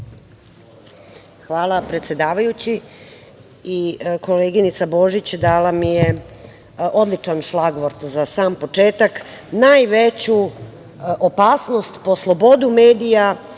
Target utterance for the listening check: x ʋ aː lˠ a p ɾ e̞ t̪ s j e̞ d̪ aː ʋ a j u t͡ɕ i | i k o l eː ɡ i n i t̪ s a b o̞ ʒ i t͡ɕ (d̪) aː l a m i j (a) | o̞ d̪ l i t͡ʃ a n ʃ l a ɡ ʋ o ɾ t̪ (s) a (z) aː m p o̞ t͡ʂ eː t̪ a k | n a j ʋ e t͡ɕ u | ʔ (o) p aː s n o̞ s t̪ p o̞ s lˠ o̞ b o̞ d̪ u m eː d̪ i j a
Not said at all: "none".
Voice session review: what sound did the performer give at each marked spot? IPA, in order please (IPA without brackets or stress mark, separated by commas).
d̪, e, z, s, o